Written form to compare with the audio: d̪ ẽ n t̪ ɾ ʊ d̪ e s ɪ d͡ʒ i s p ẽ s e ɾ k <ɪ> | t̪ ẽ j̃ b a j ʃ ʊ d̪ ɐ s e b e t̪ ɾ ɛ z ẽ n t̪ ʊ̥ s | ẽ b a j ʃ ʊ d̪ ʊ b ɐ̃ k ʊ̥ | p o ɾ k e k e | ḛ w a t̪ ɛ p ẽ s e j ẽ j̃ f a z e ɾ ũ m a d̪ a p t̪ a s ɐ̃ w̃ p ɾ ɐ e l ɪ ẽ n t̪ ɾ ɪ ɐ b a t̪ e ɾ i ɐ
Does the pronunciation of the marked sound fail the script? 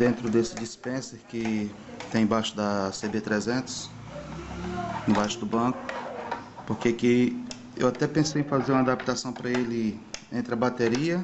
no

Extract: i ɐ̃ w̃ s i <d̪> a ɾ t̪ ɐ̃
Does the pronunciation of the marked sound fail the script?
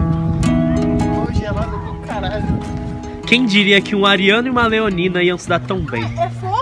no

